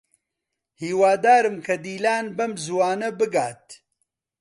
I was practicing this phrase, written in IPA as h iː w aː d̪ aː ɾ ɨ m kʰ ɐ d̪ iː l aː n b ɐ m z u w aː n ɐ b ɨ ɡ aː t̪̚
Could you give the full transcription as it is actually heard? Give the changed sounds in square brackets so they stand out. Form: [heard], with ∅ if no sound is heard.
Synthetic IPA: h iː w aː d̪ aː ɾ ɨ m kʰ ɐ d̪ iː l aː n b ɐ m z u w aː n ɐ b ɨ ɡ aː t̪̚